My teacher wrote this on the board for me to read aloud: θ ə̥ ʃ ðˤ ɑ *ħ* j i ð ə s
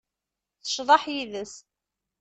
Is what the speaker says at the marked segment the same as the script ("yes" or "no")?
yes